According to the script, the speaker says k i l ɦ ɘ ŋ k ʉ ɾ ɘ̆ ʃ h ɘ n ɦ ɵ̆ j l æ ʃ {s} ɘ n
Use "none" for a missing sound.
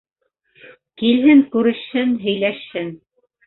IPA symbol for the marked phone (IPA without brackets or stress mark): h